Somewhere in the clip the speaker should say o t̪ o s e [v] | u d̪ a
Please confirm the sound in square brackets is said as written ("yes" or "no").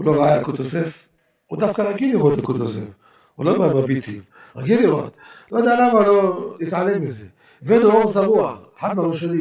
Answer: no